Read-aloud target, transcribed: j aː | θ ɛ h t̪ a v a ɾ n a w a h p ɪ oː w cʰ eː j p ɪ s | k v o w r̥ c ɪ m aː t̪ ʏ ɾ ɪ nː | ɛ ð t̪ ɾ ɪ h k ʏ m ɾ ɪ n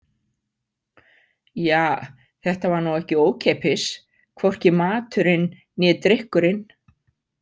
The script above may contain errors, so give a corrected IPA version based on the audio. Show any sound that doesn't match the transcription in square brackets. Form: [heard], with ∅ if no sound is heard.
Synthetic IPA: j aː | θ ɛ h t̪ a v a ɾ n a w [ɛ] h [c] ɪ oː w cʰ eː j p ɪ s | [kʰ] v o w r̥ c ɪ m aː t̪ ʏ ɾ ɪ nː | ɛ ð t̪ ɾ ɪ h k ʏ [∅] ɾ ɪ n